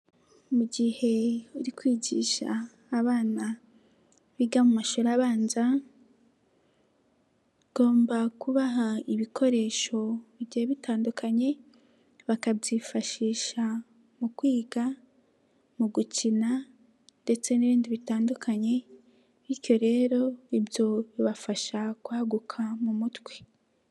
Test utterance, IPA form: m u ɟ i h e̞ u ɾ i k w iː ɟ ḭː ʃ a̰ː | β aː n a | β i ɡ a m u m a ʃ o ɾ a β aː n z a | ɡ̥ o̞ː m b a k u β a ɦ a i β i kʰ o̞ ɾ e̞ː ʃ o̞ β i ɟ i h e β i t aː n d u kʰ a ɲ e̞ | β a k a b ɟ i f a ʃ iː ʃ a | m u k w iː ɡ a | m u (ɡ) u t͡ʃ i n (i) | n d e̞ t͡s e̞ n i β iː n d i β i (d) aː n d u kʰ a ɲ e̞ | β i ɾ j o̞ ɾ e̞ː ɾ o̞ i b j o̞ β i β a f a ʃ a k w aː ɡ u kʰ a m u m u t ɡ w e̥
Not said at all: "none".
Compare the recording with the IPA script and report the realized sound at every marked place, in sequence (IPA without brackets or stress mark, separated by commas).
ɡ, a, t